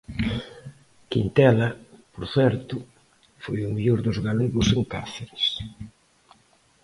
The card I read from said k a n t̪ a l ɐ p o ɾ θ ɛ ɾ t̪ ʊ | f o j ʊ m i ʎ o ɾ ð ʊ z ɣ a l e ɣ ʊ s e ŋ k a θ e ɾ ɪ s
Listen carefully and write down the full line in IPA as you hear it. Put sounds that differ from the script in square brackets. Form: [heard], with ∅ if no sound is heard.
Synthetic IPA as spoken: k [i] n t̪ [ɛ] l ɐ p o ɾ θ ɛ ɾ t̪ ʊ | f o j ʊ m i ʎ o ɾ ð ʊ z ɣ a l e ɣ ʊ s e ŋ k a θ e ɾ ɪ s